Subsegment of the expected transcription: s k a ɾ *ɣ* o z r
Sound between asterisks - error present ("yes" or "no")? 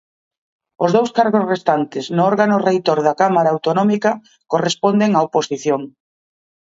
no